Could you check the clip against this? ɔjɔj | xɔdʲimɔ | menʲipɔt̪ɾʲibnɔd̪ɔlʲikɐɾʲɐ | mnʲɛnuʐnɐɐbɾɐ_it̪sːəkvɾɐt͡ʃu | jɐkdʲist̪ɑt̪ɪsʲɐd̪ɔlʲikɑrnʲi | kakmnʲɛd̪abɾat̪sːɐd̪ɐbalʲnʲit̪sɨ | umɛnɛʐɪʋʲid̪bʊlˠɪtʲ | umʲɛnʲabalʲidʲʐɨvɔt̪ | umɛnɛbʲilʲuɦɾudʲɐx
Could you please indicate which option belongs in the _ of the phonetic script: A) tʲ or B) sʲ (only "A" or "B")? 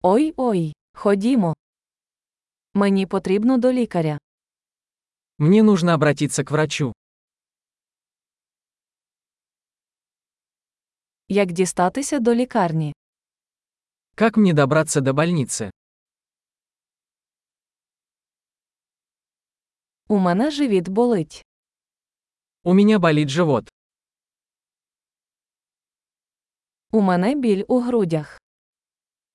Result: A